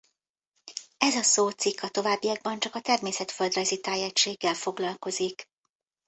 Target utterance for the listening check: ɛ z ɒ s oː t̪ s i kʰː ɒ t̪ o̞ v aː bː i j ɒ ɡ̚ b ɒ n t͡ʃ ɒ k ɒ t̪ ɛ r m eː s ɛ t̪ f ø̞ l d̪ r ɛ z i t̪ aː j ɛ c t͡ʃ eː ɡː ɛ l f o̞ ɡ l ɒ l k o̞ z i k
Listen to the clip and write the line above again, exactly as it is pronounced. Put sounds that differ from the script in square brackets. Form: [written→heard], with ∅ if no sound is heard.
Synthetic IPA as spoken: ɛ z ɒ s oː t̪ s i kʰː ɒ t̪ o̞ v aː bː i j ɒ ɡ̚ b ɒ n t͡ʃ ɒ k ɒ t̪ ɛ r m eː s ɛ t̪ f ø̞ l d̪ r ɛ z i t̪ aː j ɛ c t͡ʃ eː ɡː ɛ l f o̞ ɡ l ɒ l k o̞ z i k